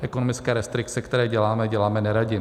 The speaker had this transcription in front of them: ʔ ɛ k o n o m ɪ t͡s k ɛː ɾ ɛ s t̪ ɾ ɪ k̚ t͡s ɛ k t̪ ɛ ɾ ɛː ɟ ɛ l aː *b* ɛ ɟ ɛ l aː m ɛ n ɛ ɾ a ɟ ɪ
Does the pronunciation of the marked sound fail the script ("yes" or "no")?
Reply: yes